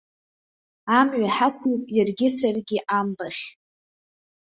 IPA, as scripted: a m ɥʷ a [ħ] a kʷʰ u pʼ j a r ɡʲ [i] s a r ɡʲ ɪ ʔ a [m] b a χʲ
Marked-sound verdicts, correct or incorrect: correct, incorrect, correct

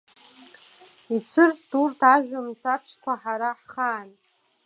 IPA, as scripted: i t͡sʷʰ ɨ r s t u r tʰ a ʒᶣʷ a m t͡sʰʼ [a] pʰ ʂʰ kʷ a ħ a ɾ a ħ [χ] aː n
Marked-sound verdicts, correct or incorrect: correct, correct

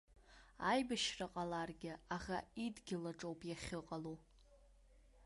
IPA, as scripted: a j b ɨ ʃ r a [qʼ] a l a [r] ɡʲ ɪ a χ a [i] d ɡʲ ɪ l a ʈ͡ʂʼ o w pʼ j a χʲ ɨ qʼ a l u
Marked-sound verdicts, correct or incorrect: correct, correct, correct

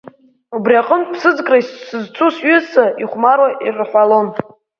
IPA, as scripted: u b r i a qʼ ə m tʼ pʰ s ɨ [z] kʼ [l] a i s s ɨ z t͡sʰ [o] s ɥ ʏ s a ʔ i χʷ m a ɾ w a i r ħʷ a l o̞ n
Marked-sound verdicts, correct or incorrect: incorrect, incorrect, incorrect

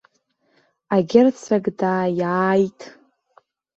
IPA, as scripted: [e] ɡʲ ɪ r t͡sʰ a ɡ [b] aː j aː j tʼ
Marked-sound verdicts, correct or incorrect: incorrect, incorrect

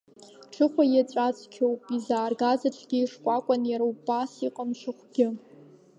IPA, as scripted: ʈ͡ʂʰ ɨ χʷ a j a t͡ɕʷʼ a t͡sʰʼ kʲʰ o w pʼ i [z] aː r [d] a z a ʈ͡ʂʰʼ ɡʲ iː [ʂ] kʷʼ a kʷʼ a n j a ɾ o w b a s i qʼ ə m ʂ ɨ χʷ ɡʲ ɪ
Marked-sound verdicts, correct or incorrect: correct, incorrect, correct

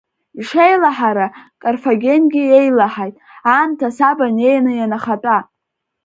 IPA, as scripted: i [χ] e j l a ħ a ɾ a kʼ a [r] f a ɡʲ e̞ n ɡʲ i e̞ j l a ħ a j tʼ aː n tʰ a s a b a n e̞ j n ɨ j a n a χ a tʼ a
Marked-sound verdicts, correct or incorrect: incorrect, correct

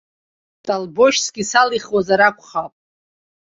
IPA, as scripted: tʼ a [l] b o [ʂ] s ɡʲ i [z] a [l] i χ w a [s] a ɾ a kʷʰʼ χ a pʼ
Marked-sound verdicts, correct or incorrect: correct, incorrect, incorrect, correct, incorrect

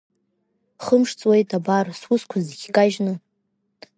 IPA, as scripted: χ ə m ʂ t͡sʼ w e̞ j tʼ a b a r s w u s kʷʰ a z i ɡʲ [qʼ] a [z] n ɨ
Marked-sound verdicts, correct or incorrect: incorrect, incorrect

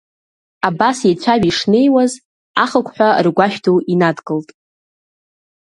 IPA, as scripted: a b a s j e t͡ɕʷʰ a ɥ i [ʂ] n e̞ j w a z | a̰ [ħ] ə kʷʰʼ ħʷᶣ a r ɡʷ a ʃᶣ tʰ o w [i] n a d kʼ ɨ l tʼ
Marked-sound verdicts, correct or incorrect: correct, incorrect, correct

